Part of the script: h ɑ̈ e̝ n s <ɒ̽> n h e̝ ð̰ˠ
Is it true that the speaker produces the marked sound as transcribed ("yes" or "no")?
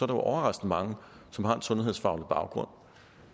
no